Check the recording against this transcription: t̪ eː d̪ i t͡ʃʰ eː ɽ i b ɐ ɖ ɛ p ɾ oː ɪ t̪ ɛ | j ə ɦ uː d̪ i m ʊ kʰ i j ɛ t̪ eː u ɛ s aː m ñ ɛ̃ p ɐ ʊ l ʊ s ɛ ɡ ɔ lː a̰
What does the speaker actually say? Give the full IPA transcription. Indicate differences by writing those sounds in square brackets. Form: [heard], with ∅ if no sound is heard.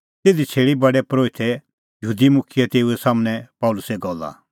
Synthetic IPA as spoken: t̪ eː d̪ i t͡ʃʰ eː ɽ i b ɐ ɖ ɛ p ɾ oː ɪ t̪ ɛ | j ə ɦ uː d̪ i m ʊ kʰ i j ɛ t̪ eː u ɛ s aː m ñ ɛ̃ p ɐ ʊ l ʊ s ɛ ɡ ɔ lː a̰